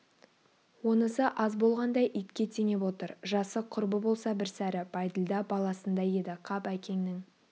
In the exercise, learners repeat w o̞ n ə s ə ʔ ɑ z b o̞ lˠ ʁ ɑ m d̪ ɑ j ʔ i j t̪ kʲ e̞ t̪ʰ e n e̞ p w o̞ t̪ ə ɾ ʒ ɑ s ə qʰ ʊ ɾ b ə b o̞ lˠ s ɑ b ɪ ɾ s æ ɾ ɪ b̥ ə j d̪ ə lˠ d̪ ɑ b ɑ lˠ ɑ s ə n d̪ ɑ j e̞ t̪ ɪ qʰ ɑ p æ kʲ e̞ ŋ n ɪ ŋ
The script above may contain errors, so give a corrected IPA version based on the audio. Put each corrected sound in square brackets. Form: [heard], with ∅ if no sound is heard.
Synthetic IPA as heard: w o̞ n ə s ə ʔ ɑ z b o̞ lˠ ʁ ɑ [n] d̪ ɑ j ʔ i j t̪ kʲ e̞ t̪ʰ e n e̞ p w o̞ t̪ ə ɾ ʒ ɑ s ə qʰ ʊ ɾ b ə b o̞ lˠ s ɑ b ɪ ɾ s æ ɾ ɪ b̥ [ɑ] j d̪ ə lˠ d̪ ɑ b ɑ lˠ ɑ s ə n d̪ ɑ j e̞ [d̪] ɪ qʰ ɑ p æ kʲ e̞ ŋ n ɪ ŋ